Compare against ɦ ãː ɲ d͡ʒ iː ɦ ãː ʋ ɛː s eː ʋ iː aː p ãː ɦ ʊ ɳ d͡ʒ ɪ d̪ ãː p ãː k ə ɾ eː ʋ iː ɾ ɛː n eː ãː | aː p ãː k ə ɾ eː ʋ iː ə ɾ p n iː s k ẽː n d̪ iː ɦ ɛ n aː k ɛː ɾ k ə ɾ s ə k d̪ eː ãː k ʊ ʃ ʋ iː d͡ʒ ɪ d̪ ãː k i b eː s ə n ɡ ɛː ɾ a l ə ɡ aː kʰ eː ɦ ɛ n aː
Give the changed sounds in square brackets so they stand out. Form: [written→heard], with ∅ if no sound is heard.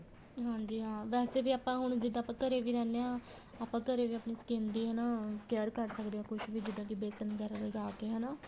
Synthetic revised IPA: ɦ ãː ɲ d͡ʒ iː ɦ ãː ʋ ɛː s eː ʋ iː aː p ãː ɦ ʊ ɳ d͡ʒ ɪ d̪ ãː p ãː k ə ɾ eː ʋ iː ɾ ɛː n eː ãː | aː p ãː k ə ɾ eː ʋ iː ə [ɾ→∅] p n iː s k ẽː n d̪ iː ɦ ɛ n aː k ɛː ɾ k ə ɾ s ə k d̪ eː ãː k ʊ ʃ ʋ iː d͡ʒ ɪ d̪ ãː k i b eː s ə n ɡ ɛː ɾ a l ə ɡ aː [kʰ→k] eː ɦ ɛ n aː